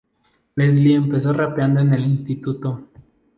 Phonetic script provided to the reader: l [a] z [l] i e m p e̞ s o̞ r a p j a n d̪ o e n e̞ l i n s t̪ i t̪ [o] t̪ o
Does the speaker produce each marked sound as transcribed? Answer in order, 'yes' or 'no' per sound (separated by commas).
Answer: no, yes, no